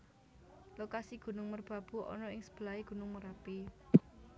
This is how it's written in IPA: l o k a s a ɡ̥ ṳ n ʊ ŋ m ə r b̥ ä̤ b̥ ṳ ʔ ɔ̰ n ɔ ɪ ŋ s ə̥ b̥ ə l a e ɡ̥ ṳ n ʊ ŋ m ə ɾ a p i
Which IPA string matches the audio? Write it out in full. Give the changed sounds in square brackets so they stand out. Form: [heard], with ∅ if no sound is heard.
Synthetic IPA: l o k a s [i] ɡ̥ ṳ n ʊ ŋ m ə r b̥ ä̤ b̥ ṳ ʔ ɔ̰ n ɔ ɪ ŋ s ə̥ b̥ ə l a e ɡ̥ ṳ n ʊ ŋ m ə ɾ a p i